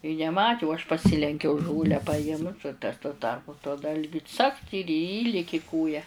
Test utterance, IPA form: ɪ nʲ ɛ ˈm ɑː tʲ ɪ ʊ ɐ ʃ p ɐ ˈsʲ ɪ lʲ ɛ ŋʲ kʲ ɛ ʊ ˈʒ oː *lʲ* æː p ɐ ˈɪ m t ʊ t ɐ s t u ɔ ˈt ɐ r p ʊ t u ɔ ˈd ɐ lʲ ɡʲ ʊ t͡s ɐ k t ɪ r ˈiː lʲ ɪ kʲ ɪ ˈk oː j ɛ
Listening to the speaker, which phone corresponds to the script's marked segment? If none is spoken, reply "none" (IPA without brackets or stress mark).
lʲ